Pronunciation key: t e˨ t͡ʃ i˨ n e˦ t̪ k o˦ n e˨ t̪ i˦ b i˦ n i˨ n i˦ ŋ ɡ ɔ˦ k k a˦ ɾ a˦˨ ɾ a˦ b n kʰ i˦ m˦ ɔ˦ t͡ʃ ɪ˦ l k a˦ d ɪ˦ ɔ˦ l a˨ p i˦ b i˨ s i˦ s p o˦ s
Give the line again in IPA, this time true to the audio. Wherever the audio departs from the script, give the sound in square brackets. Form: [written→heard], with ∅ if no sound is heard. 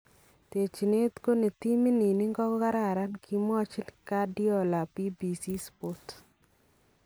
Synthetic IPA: t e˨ t͡ʃ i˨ n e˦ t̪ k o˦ n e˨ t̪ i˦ [b→m] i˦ n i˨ n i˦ ŋ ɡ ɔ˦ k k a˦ ɾ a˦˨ ɾ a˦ [b→∅] n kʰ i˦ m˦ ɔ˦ t͡ʃ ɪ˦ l k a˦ d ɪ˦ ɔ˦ l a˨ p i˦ b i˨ s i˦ s p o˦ [s→t]